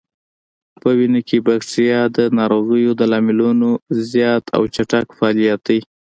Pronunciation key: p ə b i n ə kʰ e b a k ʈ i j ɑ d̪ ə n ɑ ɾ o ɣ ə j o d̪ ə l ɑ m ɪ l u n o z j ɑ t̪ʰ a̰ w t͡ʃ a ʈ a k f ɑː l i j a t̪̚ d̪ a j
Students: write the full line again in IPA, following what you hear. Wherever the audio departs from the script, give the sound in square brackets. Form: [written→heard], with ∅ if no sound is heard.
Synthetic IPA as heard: p ə [b→w] i n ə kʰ e b a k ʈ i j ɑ d̪ ə n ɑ ɾ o ɣ ə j o d̪ ə l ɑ m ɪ l u n o z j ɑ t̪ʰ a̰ w t͡ʃ a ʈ a k f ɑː l i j a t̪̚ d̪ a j